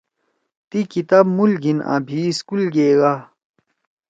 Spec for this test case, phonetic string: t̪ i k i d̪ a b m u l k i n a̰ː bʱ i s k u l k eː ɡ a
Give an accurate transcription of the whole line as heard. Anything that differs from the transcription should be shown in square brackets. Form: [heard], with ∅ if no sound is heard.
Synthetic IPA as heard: t̪ i k i [t̪] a b m u l [ɡ] i n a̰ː bʱ i s k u l [ɡ] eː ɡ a